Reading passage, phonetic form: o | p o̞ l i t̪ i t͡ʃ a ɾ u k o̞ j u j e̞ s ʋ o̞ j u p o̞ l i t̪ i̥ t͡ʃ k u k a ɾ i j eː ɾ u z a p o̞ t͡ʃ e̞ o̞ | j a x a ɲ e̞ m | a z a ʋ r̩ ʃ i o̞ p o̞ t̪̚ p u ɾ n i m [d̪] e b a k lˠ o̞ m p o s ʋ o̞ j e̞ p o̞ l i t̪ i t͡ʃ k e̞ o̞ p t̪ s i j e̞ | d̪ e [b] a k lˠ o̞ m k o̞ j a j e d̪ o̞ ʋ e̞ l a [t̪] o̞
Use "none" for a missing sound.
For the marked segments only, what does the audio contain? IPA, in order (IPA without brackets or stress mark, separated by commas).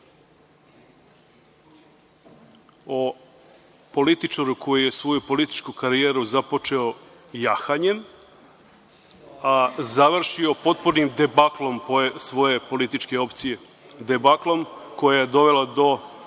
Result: d̪, b, d̪